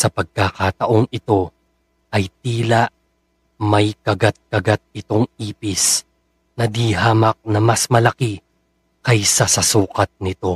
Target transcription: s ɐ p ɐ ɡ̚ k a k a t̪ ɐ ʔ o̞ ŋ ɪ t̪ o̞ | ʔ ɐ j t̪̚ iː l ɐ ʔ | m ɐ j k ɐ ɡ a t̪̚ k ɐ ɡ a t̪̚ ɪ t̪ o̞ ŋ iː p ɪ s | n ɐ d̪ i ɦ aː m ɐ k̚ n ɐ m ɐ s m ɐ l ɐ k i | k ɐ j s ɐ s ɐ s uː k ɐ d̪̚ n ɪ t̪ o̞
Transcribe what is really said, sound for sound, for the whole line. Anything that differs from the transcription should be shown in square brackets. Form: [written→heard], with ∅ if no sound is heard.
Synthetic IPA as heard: s ɐ p ɐ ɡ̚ k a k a t̪ ɐ ʔ o̞ ŋ ɪ t̪ o̞ | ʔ ɐ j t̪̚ iː l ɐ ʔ | m ɐ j k ɐ ɡ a t̪̚ k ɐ ɡ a t̪̚ ɪ t̪ o̞ ŋ iː p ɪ s | n ɐ d̪ i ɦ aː m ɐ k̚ n ɐ m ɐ s m ɐ l ɐ k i | k ɐ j s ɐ s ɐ s uː k ɐ [d̪̚→t̪̚] n ɪ t̪ o̞